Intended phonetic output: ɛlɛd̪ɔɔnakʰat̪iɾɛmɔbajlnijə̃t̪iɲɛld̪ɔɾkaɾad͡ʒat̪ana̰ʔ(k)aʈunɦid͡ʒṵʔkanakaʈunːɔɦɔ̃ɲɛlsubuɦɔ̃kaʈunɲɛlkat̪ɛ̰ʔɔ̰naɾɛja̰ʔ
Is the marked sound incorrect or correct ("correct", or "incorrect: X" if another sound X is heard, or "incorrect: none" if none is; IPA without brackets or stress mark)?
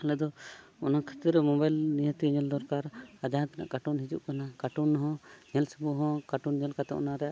correct